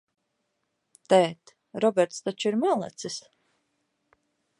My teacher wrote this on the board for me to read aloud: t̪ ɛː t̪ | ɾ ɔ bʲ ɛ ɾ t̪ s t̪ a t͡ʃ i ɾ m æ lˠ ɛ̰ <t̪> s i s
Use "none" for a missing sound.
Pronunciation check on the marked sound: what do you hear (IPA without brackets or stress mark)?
t̪